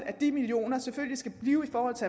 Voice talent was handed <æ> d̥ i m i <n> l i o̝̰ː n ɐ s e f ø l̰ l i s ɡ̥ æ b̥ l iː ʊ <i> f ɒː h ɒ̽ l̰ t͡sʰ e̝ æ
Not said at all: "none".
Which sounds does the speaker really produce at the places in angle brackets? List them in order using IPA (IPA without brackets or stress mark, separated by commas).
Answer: æ, none, i